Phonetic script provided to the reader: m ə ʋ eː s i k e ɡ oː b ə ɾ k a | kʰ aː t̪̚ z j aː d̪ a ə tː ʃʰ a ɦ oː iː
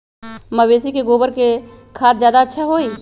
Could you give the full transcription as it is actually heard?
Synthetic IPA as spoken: m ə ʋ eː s i k e ɡ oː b ə ɾ k e | kʰ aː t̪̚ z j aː d̪ a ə tː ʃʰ a ɦ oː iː